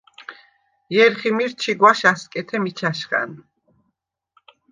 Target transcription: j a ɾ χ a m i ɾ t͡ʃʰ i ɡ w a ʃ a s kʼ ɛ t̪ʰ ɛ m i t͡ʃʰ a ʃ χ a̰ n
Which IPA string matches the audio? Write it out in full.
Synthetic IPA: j ɛ ɾ χ i m i ɾ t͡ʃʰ i ɡ w a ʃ a s kʼ ɛ t̪ʰ ɛ m i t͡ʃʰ a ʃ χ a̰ n